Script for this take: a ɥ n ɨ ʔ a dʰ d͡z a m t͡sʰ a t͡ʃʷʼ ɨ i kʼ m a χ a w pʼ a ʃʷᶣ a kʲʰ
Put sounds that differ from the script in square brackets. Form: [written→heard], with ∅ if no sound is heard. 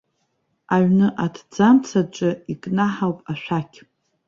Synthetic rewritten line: a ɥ n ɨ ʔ a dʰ d͡z a m t͡sʰ a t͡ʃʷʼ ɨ i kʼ [m→n] a [χ→ħ] a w pʼ a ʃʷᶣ a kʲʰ